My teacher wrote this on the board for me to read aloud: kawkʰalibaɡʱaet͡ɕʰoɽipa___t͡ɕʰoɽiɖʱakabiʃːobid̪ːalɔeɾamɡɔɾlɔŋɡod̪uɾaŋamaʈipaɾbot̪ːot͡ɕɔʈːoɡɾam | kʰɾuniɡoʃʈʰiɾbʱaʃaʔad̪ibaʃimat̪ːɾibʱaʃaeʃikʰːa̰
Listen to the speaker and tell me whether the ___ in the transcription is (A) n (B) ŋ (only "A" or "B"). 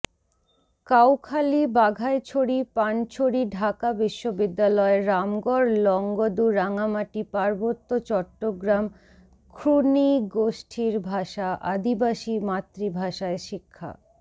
A